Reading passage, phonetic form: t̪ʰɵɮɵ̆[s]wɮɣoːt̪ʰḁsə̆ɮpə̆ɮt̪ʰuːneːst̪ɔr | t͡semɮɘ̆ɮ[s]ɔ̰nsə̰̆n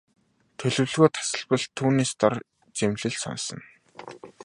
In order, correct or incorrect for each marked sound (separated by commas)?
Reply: incorrect, correct